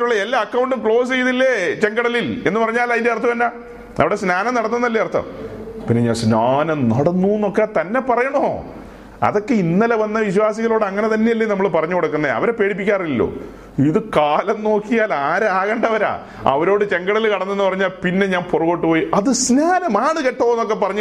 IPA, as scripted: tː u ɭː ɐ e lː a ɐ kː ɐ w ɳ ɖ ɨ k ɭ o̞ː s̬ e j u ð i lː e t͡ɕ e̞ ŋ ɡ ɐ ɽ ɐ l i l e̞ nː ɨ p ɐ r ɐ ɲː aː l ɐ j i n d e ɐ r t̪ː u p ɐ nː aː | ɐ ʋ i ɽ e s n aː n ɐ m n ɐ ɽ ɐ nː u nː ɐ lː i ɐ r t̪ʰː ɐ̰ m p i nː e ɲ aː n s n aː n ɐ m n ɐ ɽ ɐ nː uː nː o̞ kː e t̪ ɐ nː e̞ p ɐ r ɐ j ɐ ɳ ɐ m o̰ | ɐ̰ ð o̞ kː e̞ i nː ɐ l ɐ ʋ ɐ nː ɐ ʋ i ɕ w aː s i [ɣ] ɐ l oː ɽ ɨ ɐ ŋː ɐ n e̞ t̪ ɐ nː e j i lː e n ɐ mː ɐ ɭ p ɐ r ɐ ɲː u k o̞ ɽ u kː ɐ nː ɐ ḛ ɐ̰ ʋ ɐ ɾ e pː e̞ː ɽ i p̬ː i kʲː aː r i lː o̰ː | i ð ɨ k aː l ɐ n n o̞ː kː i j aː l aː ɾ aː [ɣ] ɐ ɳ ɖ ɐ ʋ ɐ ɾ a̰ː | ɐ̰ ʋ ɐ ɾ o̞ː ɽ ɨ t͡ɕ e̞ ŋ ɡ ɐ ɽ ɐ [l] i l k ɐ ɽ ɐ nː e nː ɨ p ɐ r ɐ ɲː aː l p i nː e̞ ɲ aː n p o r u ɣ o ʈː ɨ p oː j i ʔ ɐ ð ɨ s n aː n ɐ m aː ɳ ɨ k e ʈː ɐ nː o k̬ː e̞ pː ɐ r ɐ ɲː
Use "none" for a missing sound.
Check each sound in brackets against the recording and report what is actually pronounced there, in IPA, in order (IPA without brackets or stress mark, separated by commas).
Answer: ɣ, ɣ, l